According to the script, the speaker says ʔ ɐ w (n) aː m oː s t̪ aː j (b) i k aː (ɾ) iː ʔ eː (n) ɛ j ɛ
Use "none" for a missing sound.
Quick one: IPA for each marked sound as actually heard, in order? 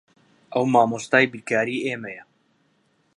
m, b, ɾ, m

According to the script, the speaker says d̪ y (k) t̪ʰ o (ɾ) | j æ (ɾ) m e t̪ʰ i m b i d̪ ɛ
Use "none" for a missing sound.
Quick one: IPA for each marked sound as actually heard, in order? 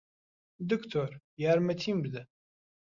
k, ɾ, ɾ

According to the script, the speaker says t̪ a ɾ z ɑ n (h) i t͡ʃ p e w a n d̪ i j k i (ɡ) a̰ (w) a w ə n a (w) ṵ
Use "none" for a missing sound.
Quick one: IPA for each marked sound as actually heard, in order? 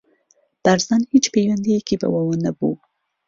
h, b, w, b

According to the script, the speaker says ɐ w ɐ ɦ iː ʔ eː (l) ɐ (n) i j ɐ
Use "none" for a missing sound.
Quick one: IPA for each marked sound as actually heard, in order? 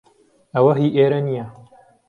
ɾ, n

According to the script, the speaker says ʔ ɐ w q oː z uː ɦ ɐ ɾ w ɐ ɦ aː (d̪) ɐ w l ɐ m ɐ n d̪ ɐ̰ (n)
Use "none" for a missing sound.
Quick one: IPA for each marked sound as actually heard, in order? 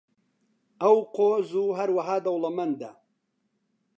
d̪, none

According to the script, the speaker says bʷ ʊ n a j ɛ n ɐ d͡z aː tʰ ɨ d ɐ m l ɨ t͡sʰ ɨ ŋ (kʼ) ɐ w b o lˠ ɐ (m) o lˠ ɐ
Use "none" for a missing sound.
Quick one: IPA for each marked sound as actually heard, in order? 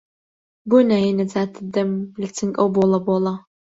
kʼ, b

